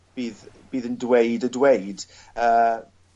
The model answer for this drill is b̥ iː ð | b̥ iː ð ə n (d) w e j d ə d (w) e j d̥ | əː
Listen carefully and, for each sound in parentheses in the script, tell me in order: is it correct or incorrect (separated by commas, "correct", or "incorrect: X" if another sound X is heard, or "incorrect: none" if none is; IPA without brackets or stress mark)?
correct, correct